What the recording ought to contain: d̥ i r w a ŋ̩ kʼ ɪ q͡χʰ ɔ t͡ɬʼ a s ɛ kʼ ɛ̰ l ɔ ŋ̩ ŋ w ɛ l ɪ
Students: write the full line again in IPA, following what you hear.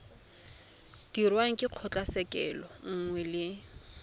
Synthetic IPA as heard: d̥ i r w a ŋ̩ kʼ ɪ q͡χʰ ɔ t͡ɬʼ a s ɛ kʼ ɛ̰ l ɔ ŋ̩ ŋ w ɛ l ɪ

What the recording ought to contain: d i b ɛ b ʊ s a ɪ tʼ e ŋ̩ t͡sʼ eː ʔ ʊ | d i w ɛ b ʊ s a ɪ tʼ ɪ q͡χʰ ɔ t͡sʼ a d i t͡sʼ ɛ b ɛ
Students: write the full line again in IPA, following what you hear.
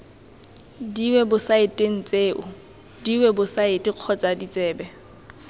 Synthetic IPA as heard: d i w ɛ b ʊ s a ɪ tʼ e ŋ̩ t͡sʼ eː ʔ ʊ | d i w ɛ b ʊ s a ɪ tʼ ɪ q͡χʰ ɔ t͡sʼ a d i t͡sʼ ɛː b ɛ

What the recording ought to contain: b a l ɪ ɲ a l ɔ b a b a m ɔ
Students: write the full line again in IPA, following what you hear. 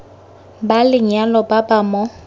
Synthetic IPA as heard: b a l ɪ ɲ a l ɔ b a b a m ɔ

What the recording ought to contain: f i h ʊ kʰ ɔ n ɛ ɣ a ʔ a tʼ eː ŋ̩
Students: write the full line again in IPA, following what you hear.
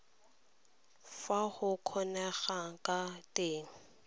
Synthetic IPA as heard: f a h ʊ kʰ ɔ n ɛ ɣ a k a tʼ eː ŋ̩

